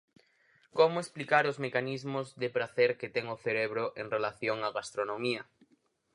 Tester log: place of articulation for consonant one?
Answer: velar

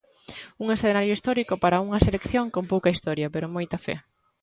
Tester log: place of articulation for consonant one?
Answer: velar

